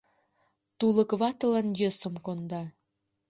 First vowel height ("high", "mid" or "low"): high